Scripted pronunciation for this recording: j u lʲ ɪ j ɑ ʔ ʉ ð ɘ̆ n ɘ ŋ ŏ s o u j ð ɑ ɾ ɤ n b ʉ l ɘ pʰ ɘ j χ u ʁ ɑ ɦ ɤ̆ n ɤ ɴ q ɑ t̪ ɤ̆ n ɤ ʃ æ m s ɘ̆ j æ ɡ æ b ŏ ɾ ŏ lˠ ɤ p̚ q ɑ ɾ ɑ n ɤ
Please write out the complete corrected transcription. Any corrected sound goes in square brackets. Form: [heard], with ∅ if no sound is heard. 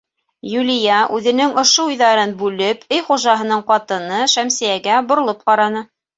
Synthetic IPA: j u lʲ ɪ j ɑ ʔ ʉ ð ɘ̆ n ɘ ŋ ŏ [ʃ] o u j ð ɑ ɾ ɤ n b ʉ l ɘ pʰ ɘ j χ u [ʒ] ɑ ɦ ɤ̆ n ɤ ɴ q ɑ t̪ ɤ̆ n ɤ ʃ æ m s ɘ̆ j æ ɡ æ b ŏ ɾ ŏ lˠ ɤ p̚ q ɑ ɾ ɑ n ɤ